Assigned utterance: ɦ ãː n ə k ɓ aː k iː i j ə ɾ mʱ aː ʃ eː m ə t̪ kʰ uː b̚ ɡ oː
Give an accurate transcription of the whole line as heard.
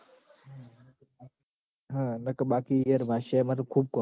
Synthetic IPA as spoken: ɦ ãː n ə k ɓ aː k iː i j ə ɾ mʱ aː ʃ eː m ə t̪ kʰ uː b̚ k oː